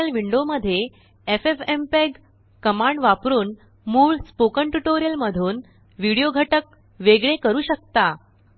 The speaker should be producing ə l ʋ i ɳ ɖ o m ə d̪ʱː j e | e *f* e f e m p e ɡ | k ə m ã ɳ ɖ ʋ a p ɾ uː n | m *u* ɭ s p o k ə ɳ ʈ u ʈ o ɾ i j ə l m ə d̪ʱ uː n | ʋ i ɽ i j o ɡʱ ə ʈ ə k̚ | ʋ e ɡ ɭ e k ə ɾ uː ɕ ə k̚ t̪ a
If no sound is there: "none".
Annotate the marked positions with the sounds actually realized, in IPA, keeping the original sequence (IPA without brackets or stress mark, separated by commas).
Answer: f, uː